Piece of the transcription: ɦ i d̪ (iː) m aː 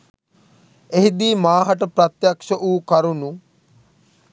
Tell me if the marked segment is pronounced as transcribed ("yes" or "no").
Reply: yes